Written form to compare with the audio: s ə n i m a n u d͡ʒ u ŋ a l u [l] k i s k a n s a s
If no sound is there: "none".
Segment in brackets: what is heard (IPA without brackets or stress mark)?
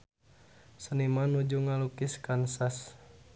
none